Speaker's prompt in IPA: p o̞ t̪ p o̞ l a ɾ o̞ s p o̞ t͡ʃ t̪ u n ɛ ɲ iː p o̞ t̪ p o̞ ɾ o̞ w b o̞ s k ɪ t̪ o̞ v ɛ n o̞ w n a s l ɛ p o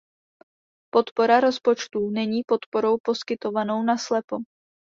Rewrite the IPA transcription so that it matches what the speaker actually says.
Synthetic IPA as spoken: p o̞ t̪ p o̞ ɾ a ɾ o̞ s p o̞ t͡ʃ t̪ u n ɛ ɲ iː p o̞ t̪ p o̞ ɾ o̞ w p o̞ s k ɪ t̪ o̞ v a n o̞ w n a s l ɛ p o